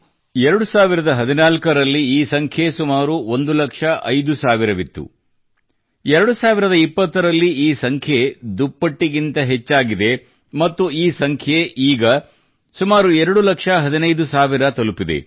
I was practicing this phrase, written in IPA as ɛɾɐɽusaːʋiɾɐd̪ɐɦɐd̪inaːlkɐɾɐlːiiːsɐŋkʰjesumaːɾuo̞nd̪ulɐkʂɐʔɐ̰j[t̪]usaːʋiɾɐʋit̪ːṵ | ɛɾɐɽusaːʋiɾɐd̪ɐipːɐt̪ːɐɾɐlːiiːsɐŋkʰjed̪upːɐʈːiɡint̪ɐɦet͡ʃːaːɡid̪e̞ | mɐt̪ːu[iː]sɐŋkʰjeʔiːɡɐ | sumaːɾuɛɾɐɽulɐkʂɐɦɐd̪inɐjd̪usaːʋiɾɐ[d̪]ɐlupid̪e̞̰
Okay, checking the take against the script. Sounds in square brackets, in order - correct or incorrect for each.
incorrect: d̪, correct, incorrect: t̪

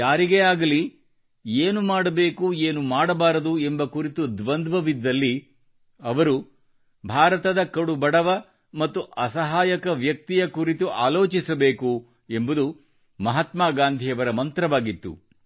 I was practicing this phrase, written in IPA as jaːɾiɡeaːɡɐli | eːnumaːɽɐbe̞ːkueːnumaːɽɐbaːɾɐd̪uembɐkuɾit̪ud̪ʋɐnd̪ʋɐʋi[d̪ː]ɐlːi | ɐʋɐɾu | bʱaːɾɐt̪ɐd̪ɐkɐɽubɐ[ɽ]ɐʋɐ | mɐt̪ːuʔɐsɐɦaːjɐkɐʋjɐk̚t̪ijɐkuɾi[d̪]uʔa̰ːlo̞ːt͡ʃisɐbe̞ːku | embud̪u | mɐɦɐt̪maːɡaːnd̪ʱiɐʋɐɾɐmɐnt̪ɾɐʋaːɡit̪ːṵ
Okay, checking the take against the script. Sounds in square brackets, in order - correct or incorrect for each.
correct, correct, incorrect: t̪

